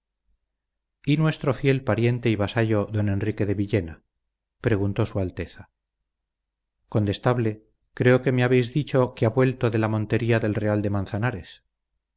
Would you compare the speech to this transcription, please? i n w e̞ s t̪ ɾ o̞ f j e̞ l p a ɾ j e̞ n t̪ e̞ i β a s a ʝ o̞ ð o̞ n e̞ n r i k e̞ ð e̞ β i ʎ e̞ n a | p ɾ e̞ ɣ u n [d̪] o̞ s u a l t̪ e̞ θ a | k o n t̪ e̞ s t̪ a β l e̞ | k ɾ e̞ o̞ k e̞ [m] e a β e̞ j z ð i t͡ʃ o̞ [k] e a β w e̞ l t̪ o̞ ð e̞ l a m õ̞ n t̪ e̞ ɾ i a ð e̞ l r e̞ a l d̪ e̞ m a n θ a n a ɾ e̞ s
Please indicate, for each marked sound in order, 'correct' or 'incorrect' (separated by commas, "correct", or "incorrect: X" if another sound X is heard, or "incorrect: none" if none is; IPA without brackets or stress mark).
incorrect: t̪, correct, correct